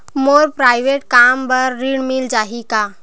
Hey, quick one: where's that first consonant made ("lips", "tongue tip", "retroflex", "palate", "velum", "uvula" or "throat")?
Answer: lips